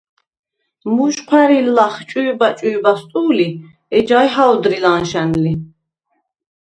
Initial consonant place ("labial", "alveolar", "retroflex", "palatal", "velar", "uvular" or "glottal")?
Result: labial